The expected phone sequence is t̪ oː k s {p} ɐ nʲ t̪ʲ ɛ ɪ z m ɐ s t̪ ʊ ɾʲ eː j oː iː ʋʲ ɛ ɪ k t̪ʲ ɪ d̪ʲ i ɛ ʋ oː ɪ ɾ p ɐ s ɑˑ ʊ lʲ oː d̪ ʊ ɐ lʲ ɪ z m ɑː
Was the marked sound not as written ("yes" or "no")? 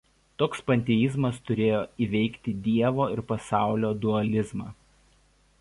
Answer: no